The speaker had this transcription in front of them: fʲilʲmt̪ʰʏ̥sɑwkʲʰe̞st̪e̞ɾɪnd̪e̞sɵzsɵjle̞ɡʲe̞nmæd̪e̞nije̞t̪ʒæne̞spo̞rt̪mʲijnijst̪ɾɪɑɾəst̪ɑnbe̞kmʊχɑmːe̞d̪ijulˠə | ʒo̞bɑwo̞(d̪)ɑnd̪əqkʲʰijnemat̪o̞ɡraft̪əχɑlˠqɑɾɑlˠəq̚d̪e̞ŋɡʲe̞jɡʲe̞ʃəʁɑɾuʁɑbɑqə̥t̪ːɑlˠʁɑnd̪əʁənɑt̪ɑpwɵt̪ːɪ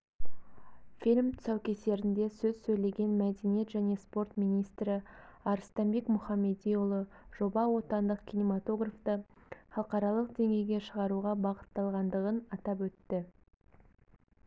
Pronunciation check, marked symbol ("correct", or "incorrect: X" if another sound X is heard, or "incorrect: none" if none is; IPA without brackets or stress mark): incorrect: t̪